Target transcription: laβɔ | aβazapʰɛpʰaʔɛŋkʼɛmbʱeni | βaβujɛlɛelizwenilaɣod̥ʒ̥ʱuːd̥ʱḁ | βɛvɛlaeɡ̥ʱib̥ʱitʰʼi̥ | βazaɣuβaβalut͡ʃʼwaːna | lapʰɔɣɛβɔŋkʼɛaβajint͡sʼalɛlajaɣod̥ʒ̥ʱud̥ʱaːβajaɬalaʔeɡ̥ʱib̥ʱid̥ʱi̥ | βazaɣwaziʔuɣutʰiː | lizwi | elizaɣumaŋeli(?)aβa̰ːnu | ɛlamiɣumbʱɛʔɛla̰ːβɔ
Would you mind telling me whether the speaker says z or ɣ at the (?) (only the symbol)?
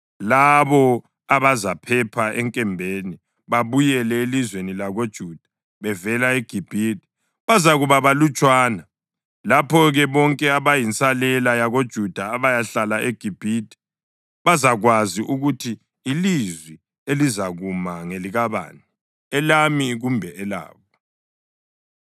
ɣ